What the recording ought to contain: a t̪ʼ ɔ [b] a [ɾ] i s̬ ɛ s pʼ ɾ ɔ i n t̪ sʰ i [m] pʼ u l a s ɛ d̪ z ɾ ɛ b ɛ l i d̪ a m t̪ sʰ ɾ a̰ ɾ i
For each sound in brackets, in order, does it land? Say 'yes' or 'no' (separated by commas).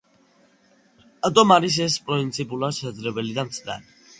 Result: no, yes, no